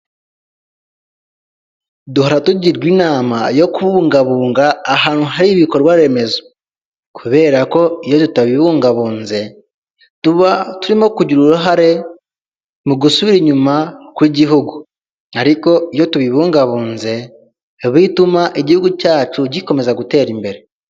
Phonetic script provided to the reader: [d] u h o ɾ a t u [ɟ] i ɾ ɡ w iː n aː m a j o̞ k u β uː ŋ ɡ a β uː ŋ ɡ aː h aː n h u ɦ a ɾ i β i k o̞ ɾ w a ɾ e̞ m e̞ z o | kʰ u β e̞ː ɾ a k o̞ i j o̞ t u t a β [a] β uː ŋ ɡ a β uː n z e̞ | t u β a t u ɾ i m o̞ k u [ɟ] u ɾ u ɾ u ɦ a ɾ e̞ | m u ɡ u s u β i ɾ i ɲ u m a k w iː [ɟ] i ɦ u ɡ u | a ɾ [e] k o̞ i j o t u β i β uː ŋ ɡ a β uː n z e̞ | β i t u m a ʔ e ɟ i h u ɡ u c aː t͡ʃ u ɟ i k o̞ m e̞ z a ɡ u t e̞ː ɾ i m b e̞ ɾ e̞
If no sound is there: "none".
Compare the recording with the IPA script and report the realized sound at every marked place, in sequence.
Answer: d, ɟ, i, ɟ, ɟ, i

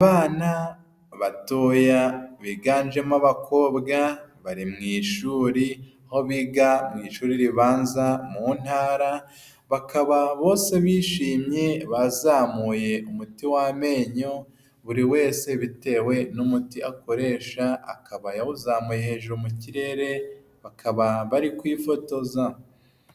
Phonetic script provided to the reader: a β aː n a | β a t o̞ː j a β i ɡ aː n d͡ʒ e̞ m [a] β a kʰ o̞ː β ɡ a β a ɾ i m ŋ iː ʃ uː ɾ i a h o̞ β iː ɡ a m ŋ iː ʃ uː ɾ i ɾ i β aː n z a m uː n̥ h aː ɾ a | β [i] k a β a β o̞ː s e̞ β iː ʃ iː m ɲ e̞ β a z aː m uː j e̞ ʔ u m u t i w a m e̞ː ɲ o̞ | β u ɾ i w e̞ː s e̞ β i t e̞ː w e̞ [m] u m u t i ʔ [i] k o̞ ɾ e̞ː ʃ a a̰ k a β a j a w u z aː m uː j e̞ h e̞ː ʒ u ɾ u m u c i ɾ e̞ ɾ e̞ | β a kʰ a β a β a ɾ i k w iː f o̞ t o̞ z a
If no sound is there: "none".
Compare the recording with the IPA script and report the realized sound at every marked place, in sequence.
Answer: a, a, n, a

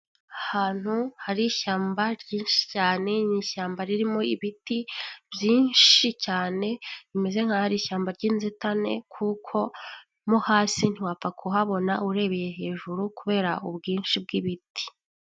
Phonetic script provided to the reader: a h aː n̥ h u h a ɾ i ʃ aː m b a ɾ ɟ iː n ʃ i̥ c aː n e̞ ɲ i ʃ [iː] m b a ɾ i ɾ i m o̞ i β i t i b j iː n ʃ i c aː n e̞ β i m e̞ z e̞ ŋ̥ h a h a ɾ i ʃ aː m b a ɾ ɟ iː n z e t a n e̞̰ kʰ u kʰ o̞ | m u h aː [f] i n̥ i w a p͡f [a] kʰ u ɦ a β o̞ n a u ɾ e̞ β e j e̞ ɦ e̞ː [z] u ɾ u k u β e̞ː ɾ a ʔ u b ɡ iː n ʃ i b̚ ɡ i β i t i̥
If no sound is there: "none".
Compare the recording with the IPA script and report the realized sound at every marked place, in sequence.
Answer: aː, s, a, ʒ

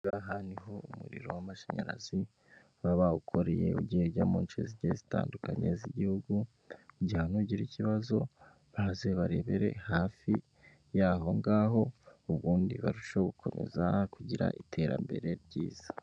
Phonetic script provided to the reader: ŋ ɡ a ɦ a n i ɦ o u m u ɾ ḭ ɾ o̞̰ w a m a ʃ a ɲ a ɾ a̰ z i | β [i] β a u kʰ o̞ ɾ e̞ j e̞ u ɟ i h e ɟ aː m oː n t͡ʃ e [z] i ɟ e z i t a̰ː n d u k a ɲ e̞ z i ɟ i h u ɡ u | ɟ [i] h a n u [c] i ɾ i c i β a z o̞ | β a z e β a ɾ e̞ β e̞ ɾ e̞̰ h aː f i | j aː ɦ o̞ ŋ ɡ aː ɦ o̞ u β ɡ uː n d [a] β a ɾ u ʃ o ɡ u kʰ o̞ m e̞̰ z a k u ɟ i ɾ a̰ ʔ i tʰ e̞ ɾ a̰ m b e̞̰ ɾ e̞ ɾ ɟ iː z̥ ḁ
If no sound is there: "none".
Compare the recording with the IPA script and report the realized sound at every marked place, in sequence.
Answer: a, z, i, ɟ, i

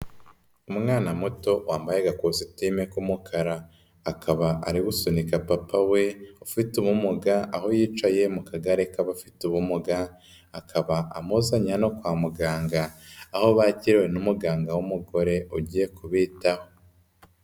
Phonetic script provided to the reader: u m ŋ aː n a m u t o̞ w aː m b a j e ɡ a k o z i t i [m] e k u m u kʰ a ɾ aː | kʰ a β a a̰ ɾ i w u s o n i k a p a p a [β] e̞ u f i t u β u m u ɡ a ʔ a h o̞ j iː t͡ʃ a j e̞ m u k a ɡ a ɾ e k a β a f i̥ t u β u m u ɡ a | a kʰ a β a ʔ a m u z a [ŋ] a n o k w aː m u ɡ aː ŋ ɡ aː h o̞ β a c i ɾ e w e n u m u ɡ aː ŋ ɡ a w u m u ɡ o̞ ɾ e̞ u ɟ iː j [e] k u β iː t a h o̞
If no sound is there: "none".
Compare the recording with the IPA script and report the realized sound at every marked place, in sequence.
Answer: m, w, ɲ, e

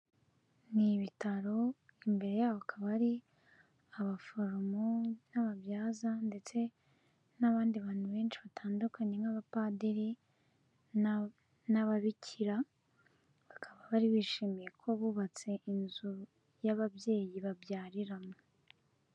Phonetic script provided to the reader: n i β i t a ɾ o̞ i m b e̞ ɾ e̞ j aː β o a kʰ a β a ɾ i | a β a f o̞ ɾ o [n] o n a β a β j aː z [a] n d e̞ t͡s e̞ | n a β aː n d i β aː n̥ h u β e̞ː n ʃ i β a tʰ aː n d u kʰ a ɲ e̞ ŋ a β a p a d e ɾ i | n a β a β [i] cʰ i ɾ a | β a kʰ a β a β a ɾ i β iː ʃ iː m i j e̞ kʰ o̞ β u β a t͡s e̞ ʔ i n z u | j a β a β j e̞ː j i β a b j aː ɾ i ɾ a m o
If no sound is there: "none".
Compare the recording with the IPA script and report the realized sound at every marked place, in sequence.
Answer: m, a, i

